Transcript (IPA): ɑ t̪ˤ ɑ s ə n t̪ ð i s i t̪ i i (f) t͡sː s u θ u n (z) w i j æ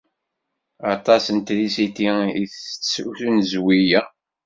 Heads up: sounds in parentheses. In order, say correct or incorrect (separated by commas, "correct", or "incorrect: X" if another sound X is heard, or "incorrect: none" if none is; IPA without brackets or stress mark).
incorrect: θ, correct